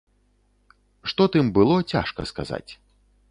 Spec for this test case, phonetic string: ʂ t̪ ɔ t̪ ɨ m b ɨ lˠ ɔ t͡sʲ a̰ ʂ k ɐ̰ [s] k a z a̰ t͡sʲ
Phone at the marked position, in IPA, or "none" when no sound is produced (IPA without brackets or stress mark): s